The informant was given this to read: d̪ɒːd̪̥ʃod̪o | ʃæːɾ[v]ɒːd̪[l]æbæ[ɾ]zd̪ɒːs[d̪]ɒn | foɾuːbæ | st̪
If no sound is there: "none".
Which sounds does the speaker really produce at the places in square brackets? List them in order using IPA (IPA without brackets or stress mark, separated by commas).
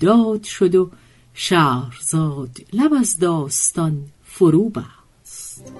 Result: z, l, none, t̪